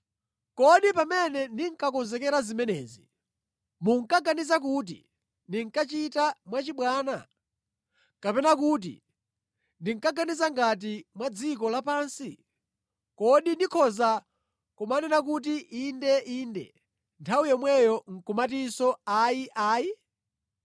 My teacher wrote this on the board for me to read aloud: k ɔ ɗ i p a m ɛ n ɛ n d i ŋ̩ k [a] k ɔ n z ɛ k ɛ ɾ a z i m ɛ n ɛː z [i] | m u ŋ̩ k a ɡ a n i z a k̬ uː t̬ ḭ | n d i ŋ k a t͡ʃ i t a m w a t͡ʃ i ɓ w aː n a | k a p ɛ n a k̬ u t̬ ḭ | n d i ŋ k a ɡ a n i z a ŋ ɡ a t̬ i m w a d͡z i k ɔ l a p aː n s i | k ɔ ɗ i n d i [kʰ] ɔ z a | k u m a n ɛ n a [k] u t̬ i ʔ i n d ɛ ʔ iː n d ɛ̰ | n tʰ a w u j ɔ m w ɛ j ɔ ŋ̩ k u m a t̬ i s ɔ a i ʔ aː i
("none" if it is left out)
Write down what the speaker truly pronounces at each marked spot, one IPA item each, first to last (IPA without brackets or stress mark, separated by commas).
a, i, kʰ, k